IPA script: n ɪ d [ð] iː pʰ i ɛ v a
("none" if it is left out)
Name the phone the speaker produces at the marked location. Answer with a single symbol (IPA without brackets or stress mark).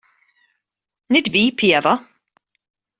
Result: v